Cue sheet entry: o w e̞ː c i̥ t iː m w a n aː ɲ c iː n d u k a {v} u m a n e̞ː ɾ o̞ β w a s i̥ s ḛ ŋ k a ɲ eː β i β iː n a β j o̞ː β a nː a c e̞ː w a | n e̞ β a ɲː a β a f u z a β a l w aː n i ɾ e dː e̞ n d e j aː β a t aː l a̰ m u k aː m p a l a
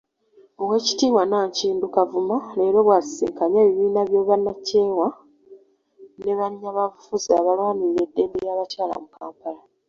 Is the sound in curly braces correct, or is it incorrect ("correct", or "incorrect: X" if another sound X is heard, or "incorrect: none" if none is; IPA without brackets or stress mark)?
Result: correct